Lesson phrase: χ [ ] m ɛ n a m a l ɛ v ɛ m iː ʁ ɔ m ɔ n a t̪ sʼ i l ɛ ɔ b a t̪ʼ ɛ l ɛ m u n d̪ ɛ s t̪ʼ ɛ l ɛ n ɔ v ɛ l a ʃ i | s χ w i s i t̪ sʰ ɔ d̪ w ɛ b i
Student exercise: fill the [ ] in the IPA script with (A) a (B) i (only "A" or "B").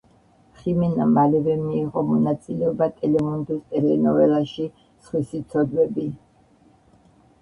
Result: B